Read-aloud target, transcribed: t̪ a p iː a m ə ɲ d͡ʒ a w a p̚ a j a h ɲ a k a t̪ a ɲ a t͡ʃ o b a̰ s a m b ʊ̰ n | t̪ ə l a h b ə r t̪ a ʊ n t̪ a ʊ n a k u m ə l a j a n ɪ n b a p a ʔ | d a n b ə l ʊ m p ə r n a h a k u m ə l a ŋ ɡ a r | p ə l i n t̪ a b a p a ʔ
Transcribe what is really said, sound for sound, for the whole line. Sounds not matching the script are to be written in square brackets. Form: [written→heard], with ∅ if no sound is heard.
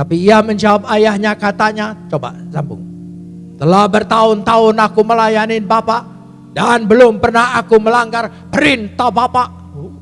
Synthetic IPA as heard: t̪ a p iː a m ə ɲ d͡ʒ a w a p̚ a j a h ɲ a k a t̪ a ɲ a t͡ʃ o b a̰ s a m b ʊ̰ [n→ŋ] | t̪ ə l a h b ə r t̪ a ʊ n t̪ a ʊ n a k u m ə l a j a n ɪ n b a p a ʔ | d a n b ə l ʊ m p ə r n a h a k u m ə l a ŋ ɡ a r | p ə [l→ɾ] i n t̪ a b a p a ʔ

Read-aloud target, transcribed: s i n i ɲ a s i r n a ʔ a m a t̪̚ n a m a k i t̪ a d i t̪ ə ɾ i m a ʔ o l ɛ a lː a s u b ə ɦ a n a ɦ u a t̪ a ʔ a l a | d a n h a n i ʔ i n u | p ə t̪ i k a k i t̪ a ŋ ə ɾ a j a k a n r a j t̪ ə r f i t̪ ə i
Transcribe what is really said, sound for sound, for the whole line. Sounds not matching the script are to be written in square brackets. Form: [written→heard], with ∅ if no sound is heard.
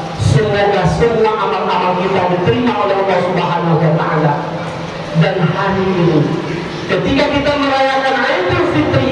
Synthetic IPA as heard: s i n [i→a] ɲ a s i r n a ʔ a m a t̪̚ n a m a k i t̪ a d i t̪ ə ɾ i m a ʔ o l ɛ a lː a s u b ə ɦ a n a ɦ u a t̪ a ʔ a l a | d a n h a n i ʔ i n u | [p→k] ə t̪ i k a k i t̪ a [ŋ→m] ə ɾ a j a k a n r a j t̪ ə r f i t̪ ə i

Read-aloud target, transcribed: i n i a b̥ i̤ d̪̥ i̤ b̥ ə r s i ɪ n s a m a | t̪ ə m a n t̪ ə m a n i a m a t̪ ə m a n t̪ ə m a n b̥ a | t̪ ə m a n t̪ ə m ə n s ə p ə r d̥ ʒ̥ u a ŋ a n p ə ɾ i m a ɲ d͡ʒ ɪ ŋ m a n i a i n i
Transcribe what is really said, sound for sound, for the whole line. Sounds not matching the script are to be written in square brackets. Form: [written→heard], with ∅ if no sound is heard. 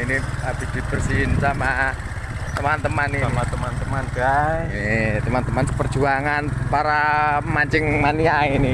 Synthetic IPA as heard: i n i a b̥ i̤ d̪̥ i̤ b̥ ə r s i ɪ n s a m a | t̪ ə m a n t̪ ə m a n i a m a t̪ ə m a n t̪ ə m a n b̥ a | t̪ ə m a n t̪ ə m [ə→a] n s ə p ə r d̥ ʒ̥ u a ŋ a n p [ə→a] ɾ [i→a] m a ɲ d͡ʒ ɪ ŋ m a n i a i n i

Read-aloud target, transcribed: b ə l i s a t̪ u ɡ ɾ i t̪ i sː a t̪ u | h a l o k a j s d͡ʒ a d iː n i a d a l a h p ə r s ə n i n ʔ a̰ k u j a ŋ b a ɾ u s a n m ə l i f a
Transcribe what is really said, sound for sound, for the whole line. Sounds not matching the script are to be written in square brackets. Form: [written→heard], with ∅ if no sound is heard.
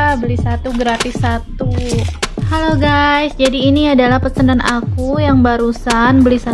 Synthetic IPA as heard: b ə l i s a t̪ u ɡ ɾ [i→a] t̪ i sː a t̪ u | h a l o [k→ɡ] a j s d͡ʒ a d iː n i a d a l a h p ə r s ə n [i→a] n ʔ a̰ k u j a ŋ b a ɾ u s a n [m→b] ə l i [f→s] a

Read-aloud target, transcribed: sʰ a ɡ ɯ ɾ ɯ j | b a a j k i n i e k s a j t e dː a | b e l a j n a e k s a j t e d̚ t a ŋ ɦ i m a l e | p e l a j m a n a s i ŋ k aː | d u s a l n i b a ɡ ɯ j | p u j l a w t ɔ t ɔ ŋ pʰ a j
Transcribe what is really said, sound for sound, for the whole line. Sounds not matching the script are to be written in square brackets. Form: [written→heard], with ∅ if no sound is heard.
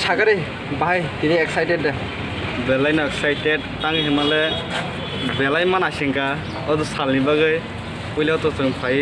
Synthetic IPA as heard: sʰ a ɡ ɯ ɾ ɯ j | b a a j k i n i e k s a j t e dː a | b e l a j n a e k s a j t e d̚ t a ŋ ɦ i m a l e | [p→b] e l a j m a n a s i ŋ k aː | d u s a l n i b a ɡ ɯ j | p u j l a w t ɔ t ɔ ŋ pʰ a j

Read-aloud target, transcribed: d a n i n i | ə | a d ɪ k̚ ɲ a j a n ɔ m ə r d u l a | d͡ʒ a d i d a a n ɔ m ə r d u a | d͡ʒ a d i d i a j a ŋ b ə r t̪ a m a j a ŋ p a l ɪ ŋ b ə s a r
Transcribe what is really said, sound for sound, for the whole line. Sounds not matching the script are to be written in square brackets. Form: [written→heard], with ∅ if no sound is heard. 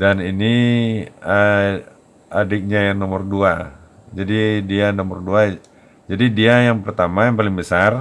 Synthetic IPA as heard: d a n i n i | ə | a d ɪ k̚ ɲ a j a n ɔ m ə r d u [l→∅] a | d͡ʒ a d i d [a→i] a n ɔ m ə r d u a | d͡ʒ a d i d i a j a ŋ [b→p] ə r t̪ a m a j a ŋ p a l ɪ ŋ b ə s a r

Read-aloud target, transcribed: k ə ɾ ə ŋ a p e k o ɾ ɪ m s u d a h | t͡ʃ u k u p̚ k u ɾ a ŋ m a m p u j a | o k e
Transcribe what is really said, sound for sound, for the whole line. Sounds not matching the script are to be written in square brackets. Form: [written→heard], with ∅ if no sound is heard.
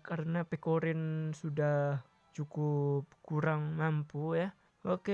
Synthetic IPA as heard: k [ə→a] ɾ ə [ŋ→n] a p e k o ɾ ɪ [m→n] s u d a h | t͡ʃ u k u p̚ k u ɾ a ŋ m a m p u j a | o k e

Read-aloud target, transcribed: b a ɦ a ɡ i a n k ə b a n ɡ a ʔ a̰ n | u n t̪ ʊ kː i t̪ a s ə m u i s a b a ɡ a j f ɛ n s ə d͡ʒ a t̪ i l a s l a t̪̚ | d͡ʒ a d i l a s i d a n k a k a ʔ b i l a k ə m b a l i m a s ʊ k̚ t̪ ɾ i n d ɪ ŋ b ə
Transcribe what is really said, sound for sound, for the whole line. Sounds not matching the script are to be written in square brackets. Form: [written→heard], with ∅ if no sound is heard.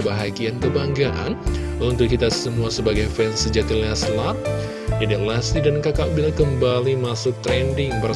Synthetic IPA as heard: b a ɦ a ɡ i a n k ə b a [n→ŋ] ɡ a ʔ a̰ n | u n t̪ ʊ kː i t̪ a s ə m u [i→a] s [a→ə] b a ɡ a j f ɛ n s ə d͡ʒ a t̪ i l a s l a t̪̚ | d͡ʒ a d i l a s i d a n k a k a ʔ b i l a k ə m b a l i m a s ʊ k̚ t̪ ɾ [i→ɛ] n d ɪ ŋ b ə

